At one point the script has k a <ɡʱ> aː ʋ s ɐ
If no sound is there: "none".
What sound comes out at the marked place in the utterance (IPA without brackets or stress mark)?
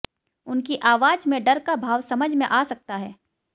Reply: bʱ